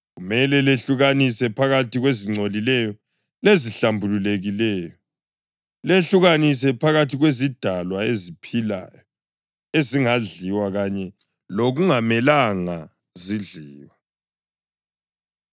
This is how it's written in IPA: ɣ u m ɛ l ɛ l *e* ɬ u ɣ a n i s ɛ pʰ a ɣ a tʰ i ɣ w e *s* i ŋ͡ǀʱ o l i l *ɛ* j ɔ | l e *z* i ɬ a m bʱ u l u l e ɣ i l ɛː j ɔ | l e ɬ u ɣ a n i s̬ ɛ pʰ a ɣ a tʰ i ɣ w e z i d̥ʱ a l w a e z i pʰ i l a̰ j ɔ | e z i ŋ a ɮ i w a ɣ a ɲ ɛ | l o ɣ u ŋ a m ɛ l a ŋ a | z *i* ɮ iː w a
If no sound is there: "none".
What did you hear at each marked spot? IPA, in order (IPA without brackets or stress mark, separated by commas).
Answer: e, z, ɛ, z, i